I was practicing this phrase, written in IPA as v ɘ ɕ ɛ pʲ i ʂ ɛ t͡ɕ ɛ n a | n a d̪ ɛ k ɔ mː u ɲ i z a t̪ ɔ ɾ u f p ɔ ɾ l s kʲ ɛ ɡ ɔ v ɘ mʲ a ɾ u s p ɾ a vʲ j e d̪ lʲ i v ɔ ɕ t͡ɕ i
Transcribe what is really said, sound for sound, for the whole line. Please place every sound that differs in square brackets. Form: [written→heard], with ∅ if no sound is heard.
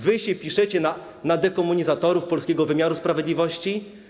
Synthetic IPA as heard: v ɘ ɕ ɛ pʲ i ʂ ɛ t͡ɕ ɛ n a | n a d̪ ɛ k ɔ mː u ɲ i z a t̪ ɔ ɾ u f p ɔ [ɾ→∅] l s kʲ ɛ ɡ ɔ v ɘ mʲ a ɾ u s p ɾ a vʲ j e d̪ lʲ i v ɔ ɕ t͡ɕ i